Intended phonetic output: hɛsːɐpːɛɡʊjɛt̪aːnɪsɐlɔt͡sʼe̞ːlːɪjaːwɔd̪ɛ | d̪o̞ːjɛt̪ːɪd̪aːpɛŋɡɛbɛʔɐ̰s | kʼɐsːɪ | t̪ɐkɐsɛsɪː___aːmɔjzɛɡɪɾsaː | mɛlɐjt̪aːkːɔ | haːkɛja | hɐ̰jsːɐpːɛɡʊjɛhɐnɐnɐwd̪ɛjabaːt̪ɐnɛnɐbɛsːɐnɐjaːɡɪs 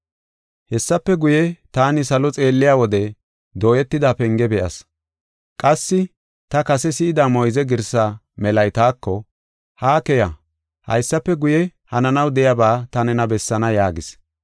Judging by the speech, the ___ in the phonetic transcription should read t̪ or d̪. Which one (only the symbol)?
d̪